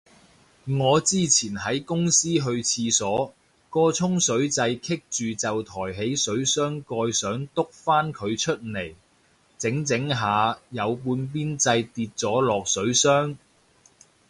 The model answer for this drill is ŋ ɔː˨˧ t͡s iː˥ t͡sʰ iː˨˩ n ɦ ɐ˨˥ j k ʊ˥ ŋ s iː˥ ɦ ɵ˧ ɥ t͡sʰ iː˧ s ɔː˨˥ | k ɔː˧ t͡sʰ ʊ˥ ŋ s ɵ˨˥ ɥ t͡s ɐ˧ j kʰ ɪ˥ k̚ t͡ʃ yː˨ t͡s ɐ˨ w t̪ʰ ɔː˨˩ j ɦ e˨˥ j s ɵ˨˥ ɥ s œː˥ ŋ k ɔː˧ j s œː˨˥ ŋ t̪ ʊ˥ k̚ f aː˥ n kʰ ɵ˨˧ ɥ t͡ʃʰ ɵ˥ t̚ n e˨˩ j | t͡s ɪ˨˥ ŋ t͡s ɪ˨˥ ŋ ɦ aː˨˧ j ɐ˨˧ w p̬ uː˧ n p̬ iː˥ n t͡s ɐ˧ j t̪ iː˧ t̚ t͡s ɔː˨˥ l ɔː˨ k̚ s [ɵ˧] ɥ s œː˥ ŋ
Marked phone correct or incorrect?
incorrect